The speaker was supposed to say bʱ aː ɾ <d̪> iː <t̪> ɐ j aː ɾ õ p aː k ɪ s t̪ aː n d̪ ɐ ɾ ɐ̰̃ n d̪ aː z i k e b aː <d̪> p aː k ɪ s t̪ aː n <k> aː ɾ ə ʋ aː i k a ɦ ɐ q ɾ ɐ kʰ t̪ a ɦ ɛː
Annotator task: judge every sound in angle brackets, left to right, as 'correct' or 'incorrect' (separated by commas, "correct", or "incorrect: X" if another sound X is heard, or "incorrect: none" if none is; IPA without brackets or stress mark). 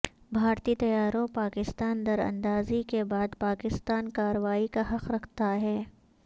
incorrect: t̪, correct, correct, correct